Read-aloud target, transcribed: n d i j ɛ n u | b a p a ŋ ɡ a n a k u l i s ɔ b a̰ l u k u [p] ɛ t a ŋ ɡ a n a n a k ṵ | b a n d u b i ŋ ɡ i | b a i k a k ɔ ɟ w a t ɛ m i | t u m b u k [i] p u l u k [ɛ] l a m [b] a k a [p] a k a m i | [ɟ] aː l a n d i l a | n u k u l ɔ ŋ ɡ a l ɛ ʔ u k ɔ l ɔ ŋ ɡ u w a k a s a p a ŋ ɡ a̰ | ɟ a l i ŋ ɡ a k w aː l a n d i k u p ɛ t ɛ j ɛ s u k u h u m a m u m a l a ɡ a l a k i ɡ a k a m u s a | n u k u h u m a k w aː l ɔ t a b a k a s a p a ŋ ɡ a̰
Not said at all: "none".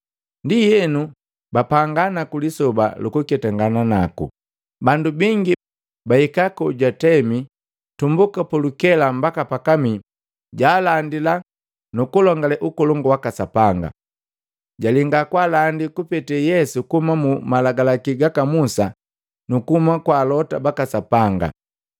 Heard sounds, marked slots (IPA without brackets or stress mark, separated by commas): k, a, ɛ, b, p, ɟ